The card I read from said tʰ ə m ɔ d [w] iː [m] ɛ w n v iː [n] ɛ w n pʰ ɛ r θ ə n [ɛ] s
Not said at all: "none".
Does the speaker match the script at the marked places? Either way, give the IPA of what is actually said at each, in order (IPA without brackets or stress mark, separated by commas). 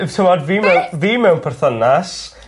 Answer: v, m, m, a